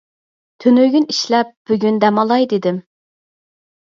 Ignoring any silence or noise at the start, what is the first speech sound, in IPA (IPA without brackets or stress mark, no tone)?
t̪ʰ